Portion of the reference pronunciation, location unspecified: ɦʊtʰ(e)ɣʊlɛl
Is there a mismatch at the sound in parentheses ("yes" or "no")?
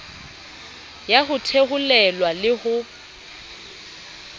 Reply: no